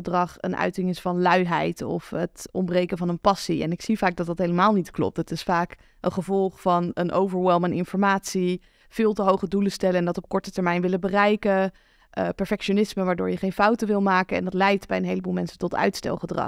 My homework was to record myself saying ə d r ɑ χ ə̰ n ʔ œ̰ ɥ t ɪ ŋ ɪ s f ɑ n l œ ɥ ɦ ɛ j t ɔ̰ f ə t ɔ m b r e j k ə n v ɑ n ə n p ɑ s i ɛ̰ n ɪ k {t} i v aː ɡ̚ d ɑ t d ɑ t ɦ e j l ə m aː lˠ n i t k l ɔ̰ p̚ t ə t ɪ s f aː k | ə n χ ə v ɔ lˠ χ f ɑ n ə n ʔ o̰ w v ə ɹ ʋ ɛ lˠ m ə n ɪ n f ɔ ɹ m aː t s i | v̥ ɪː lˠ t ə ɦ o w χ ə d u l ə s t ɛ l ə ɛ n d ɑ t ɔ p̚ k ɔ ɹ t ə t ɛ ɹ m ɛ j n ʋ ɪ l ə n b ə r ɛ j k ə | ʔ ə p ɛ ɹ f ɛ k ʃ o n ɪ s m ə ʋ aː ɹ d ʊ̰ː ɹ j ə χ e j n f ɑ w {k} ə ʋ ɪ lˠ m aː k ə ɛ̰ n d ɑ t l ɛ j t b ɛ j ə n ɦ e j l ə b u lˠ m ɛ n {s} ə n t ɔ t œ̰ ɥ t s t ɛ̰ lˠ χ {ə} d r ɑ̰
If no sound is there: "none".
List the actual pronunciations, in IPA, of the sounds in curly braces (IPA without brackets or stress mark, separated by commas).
s, t, s, ə